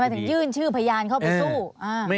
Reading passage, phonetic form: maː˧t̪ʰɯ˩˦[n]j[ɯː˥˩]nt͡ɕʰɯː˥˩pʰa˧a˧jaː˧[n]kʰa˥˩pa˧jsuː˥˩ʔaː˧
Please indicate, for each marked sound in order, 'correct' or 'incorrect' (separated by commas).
incorrect, correct, correct